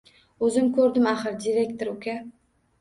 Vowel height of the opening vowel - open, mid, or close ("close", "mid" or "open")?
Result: mid